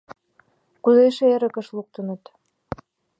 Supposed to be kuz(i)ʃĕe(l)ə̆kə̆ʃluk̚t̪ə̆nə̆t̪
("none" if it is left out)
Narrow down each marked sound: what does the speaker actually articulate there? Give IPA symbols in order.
e, ɾ

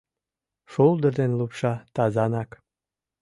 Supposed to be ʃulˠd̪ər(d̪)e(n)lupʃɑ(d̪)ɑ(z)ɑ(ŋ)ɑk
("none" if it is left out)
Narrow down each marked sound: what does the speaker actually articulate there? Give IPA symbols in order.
d̪, n, t̪, z, n

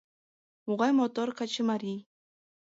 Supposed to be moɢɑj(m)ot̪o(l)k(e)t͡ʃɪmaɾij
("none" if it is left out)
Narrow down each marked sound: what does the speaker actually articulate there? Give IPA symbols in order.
m, ɾ, a

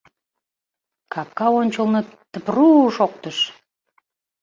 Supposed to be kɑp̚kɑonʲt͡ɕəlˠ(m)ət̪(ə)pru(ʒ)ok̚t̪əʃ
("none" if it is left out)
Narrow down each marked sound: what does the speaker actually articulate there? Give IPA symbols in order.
n, ə, ʃ

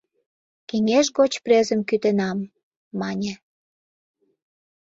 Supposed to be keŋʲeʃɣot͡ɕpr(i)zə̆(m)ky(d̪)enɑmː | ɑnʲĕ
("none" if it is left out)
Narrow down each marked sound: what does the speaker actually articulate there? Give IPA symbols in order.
e, m, t̪

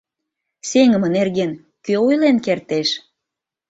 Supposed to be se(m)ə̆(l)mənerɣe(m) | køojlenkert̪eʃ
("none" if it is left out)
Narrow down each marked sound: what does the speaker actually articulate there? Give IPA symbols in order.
ŋ, none, n

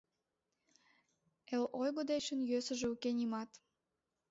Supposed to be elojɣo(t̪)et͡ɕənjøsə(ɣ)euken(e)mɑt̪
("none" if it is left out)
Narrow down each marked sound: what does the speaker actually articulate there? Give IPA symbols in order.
d̪, ʒ, i

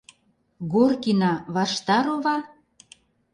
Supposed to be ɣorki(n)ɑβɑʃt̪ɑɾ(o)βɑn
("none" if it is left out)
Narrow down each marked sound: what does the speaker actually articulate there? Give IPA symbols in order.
n, o

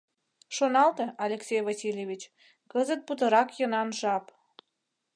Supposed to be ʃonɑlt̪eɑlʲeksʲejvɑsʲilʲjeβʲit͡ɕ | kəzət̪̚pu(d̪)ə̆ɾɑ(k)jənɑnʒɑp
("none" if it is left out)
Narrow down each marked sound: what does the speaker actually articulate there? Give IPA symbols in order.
t̪, k

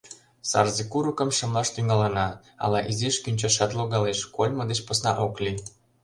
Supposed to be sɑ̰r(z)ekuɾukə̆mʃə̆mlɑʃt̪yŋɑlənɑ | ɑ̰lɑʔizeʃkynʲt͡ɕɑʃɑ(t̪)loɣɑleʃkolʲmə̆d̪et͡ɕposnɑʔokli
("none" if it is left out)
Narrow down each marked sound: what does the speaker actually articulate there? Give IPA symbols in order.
z, t̪

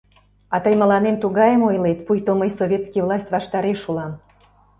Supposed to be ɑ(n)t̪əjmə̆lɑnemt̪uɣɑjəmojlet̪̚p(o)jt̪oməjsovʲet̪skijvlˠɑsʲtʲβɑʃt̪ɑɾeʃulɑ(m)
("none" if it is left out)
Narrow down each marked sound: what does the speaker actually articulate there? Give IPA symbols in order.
none, u, m

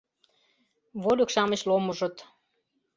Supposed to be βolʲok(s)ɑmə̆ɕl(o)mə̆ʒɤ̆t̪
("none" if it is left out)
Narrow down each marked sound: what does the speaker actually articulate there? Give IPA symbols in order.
ʃ, o

